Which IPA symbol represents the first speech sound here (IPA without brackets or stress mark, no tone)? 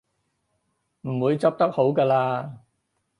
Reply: m̩